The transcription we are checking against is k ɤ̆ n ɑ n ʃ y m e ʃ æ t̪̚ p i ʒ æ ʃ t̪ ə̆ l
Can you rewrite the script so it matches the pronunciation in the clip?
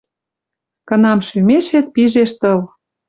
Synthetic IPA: k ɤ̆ n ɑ m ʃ y m e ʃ e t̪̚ p i ʒ e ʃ t̪ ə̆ l